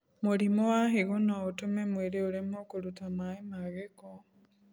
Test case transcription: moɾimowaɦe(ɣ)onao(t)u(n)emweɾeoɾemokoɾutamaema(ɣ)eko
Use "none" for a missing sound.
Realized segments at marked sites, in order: ɣ, t, m, ɣ

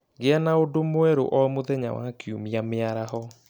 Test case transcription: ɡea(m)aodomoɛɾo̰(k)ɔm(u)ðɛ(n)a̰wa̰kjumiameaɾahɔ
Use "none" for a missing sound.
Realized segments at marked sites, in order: n, ʔ, o, ɲ

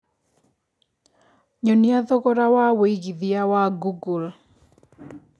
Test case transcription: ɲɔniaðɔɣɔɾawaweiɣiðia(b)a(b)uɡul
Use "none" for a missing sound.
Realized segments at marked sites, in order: w, ɡ

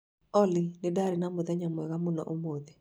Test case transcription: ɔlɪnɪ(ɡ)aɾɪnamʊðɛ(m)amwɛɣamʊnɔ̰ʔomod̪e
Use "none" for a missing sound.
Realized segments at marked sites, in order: d, ɲ

